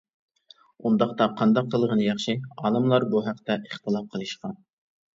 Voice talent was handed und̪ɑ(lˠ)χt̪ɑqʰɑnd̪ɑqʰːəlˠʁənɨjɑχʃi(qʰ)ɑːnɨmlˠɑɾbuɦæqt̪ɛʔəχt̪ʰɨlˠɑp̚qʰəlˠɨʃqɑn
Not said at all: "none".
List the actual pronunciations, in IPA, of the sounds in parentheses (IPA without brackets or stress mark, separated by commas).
none, none